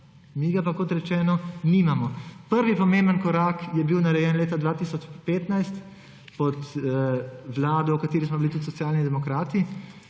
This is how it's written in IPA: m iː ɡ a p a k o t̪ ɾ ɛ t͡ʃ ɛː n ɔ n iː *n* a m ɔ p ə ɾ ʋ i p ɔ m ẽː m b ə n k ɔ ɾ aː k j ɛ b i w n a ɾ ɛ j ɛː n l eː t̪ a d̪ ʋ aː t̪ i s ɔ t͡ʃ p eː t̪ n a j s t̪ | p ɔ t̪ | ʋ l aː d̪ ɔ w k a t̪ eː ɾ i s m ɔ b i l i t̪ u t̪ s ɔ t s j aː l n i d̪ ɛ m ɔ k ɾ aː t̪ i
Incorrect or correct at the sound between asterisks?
incorrect: m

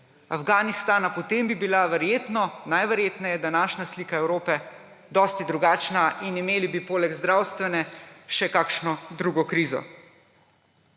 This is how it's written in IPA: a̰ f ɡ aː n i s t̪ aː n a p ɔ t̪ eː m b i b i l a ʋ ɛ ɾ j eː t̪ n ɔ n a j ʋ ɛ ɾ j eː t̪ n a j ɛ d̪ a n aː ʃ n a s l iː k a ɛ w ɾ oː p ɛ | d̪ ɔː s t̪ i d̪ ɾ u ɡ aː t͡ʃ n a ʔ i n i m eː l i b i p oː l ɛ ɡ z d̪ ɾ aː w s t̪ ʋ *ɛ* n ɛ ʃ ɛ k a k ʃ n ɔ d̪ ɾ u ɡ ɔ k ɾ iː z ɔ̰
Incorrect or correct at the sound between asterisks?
correct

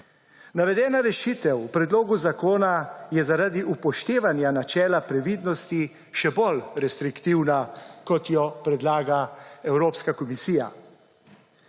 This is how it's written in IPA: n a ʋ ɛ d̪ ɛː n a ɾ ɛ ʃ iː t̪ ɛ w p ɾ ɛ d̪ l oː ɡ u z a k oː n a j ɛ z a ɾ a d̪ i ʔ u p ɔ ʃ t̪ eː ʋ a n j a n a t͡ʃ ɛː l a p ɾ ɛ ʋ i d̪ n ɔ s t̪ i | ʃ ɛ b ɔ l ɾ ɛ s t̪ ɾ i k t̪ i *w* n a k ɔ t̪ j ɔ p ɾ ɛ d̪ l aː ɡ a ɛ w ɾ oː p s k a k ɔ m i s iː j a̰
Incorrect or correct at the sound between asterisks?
correct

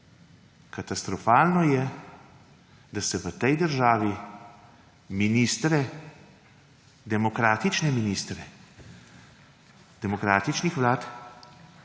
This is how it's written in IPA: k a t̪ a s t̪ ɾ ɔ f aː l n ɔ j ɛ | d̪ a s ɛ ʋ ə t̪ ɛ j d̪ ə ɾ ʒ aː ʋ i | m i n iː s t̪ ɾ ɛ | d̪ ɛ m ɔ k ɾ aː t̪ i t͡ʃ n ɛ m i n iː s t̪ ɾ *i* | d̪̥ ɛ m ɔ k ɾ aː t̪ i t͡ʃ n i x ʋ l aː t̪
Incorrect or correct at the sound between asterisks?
incorrect: ɛ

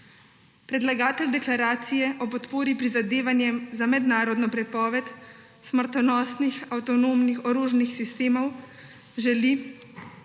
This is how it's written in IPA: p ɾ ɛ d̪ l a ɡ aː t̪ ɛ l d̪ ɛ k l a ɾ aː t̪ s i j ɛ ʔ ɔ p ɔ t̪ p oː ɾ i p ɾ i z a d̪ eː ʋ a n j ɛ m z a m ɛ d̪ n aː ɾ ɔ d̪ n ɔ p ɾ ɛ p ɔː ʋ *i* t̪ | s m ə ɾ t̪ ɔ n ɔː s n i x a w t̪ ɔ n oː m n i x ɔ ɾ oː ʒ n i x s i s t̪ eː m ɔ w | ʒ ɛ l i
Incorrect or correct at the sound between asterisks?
incorrect: ɛ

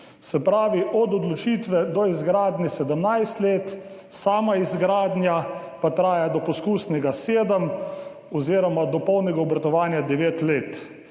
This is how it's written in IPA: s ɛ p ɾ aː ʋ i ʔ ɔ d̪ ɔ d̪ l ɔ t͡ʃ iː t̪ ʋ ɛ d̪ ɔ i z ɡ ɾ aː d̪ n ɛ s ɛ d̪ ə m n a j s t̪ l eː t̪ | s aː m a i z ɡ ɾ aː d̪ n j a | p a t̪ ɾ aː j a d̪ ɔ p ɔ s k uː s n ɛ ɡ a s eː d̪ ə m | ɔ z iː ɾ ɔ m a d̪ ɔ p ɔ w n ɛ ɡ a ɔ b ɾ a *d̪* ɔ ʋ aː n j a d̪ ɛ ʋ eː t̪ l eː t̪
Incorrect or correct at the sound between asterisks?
incorrect: t̪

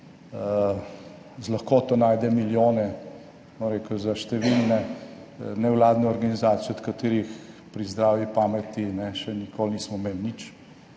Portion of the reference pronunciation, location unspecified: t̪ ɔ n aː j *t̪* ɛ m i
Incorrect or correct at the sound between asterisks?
incorrect: d̪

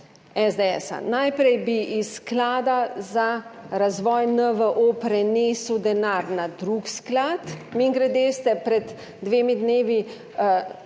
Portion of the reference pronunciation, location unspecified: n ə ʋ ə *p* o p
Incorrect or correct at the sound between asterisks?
incorrect: ʔ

